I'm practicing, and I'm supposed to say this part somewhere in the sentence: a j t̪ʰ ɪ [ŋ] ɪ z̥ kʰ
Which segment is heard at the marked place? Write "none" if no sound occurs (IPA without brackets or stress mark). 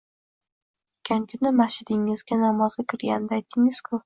ŋ